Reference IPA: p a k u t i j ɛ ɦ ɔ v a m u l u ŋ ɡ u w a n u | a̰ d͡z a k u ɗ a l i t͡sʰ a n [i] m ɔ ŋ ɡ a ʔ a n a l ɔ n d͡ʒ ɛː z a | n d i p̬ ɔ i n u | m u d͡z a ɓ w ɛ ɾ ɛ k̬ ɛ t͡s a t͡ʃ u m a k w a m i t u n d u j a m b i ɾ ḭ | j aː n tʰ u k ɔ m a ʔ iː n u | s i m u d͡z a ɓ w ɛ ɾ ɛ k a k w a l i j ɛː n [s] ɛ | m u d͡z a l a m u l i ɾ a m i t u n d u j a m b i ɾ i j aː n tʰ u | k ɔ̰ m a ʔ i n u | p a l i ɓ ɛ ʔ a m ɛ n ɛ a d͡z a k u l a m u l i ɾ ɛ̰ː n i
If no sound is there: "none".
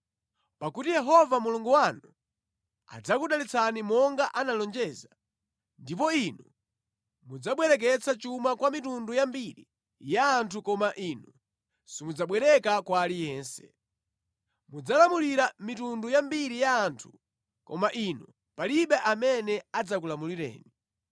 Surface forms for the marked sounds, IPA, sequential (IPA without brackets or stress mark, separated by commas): i, s